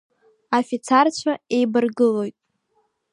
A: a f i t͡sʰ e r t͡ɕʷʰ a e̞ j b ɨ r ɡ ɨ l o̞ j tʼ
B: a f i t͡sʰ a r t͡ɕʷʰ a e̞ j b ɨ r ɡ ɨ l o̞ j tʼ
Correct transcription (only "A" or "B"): B